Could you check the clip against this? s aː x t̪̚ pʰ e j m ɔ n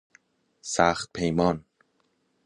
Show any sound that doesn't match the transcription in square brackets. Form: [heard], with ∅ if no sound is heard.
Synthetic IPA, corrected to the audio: s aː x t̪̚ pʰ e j m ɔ n